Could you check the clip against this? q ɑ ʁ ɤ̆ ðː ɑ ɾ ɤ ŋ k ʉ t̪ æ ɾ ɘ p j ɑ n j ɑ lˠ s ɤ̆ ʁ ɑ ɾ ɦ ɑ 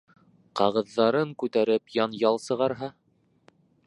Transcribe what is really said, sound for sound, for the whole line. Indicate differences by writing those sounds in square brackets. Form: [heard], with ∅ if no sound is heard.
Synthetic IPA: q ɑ ʁ ɤ̆ ðː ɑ ɾ ɤ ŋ k ʉ t̪ æ ɾ ɘ p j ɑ n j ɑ lˠ s ɤ̆ ʁ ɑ ɾ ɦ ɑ